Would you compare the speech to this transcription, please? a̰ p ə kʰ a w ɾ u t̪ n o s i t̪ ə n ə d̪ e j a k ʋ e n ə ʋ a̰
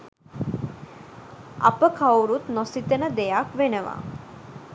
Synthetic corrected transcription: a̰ p ə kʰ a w ɾ u t̪ n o s i t̪ ə n ə d̪ e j a k ʋ e n ə ʋ a̰